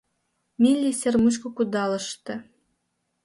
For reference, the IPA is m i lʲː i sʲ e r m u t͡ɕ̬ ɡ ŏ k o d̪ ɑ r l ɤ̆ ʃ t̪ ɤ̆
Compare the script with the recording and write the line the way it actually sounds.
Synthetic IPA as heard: m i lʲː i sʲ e r m u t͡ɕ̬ k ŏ k u d̪ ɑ l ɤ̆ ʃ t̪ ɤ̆